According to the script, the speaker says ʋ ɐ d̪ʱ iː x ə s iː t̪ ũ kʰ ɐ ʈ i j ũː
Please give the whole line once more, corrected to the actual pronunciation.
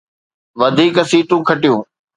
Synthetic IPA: ʋ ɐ d̪ʱ iː k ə s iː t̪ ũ kʰ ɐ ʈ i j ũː